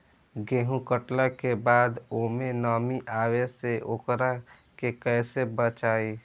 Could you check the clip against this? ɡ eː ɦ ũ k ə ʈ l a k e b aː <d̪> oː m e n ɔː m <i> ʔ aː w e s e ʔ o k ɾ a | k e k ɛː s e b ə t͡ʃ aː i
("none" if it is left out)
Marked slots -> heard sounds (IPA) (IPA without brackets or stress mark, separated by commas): d̪, i